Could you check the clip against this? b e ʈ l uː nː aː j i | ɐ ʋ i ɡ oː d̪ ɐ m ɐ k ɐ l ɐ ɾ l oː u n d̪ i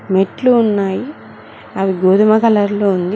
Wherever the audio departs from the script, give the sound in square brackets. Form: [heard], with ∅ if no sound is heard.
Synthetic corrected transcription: [m] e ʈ l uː nː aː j i | ɐ ʋ i ɡ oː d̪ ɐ m ɐ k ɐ l ɐ ɾ l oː u n d̪ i